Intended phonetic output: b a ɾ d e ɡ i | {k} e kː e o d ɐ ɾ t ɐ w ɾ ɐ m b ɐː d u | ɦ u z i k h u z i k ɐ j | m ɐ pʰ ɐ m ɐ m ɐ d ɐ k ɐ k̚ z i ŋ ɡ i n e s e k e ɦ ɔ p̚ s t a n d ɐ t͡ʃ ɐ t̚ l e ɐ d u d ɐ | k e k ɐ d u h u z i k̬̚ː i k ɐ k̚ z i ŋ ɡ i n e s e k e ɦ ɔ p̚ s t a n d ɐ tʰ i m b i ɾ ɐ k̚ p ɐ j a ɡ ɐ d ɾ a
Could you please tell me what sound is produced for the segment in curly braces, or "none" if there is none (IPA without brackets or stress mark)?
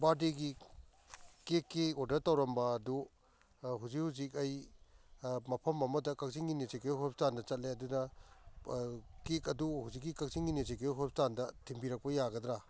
k